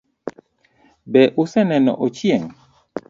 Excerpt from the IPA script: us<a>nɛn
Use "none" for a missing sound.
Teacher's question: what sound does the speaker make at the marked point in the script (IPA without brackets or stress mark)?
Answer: ɛ